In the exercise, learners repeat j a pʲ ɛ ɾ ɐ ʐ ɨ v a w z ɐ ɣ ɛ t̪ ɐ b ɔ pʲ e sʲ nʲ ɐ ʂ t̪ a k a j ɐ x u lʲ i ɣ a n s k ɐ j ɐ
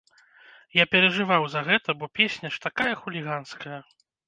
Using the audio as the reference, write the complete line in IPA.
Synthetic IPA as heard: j a pʲ ɛ ɾ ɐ ʐ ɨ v a w z ɐ ɣ ɛ t̪ ɐ b ɔ pʲ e sʲ nʲ ɐ ʂ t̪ a k a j ɐ x u lʲ i ɣ a n s k ɐ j ɐ

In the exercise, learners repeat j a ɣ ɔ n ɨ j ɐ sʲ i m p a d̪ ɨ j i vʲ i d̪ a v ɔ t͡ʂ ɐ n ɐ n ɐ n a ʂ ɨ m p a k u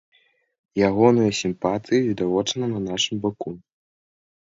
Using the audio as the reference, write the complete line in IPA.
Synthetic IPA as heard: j a ɣ ɔ n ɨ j ɐ sʲ i m p a t̪ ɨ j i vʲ i d̪ a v ɔ t͡ʂ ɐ n ɐ n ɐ n a ʂ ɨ m b a k u

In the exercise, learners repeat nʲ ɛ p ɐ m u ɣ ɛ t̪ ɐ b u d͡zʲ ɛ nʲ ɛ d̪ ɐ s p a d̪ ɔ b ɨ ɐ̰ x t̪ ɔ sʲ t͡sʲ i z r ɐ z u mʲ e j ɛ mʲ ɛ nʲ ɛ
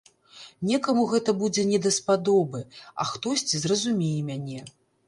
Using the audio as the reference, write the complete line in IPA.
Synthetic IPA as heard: nʲ ɛ k ɐ m u ɣ ɛ t̪ ɐ b u d͡zʲ ɛ nʲ ɛ d̪ ɐ s p a d̪ ɔ b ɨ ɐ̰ x t̪ ɔ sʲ t͡sʲ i z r ɐ z u mʲ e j ɛ mʲ a nʲ ɛ

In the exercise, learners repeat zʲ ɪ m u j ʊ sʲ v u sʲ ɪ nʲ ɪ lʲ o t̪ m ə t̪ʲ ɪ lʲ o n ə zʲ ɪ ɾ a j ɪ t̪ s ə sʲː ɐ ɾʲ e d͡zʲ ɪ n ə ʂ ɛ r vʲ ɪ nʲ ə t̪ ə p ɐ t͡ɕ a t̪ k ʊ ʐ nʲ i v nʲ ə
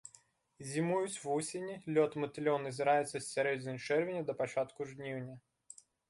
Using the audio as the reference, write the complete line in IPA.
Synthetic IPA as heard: zʲ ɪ m u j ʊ sʲ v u sʲ ɪ nʲ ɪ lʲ o t̪ m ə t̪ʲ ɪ lʲ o n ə zʲ ɪ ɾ a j ɪ t̪ s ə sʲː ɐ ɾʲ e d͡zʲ ɪ n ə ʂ ɛ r vʲ ɪ nʲ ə d̪ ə p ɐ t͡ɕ a t̪ k ʊ ʐ nʲ i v nʲ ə

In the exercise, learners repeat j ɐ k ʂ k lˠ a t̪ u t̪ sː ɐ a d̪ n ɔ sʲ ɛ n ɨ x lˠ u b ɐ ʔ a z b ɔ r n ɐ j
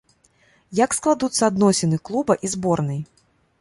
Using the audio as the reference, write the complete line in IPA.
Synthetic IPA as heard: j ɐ k s k lˠ a d̪ u t̪ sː ɐ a d̪ n ɔ sʲ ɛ n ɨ k lˠ u b ɐ ʔ i z b ɔ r n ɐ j

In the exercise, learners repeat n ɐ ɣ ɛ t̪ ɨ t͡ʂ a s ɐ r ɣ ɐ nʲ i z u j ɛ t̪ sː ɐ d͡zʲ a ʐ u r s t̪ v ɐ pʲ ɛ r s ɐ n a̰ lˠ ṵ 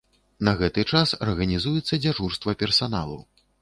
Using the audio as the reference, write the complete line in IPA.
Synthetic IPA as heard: n ɐ ɣ ɛ t̪ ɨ t͡ʂ a s ɐ r ɣ ɐ nʲ i z u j ɛ t̪ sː ɐ d͡zʲ a ʐ u r s t̪ v ɐ pʲ ɛ r s a n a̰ lˠ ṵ

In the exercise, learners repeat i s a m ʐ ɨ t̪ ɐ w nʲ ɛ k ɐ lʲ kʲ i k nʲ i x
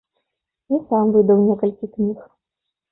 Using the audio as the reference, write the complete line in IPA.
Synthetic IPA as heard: i s a m v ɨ d̪ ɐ w nʲ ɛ k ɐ lʲ kʲ i k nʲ i x

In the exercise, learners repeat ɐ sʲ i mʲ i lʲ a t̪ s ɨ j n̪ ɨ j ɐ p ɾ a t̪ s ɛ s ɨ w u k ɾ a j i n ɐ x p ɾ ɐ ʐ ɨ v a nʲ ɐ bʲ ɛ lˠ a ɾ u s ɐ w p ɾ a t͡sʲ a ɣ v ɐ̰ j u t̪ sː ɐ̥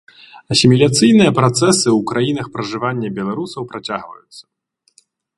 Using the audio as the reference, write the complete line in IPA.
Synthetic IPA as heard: ɐ sʲ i mʲ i lʲ a t̪ s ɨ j n̪ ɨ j ɐ p ɾ a t̪ s ɛ s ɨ w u k ɾ a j i n ɐ x p ɾ ɐ ʐ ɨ v a nʲː ɐ bʲ ɛ lˠ a ɾ u s ɐ w p ɾ a t͡sʲ a ɣ v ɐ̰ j u t̪ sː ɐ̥

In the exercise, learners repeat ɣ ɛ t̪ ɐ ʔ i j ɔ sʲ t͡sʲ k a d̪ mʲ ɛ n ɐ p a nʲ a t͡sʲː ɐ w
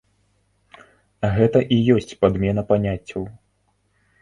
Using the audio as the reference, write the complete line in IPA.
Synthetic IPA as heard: ɣ ɛ t̪ ɐ ʔ i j ɔ sʲ t͡sʲ p a d̪ mʲ ɛ n ɐ p a nʲ a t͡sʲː ɐ w

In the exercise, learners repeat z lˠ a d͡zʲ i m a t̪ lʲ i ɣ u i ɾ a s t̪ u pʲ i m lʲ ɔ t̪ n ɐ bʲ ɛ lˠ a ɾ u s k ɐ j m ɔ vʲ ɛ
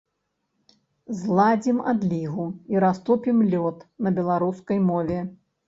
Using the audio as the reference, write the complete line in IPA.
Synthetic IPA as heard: z lˠ a d͡zʲ i m a d̪ lʲ i ɣ u i ɾ a s t̪ u pʲ i m lʲ ɔ t̪ n ɐ bʲ ɛ lˠ a ɾ u s k ɐ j m ɔ vʲ ɛ

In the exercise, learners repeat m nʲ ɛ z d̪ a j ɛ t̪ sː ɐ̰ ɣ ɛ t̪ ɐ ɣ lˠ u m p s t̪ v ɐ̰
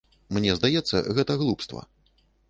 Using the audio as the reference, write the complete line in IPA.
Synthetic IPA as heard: m nʲ ɛ z d̪ a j ɛ t̪ sː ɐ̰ ɣ ɛ t̪ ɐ ɣ lˠ u p s t̪ v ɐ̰

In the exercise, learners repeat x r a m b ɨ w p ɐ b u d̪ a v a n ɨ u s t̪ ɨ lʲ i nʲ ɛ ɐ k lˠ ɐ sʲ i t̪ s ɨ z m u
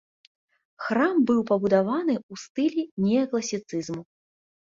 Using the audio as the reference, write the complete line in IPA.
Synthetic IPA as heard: x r a m b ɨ w p ɐ b u d̪ a v a n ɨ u s t̪ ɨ lʲ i nʲ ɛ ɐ k lˠ ɐ sʲ i t̪ s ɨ z m u

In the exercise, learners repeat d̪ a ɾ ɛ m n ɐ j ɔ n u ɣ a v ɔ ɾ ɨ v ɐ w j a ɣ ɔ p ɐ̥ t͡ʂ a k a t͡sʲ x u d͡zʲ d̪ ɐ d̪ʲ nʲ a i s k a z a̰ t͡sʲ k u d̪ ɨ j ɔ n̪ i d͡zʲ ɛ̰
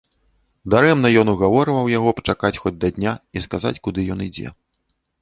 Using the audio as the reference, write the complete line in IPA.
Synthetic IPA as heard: d̪ a ɾ ɛ m n ɐ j ɔ n u ɣ a v ɔ ɾ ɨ v ɐ w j a ɣ ɔ p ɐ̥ t͡ʂ a k a t͡sʲ x ɔ d͡zʲ d̪ ɐ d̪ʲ nʲ a i s k a z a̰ t͡sʲ k u d̪ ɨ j ɔ n̪ i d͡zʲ ɛ̰

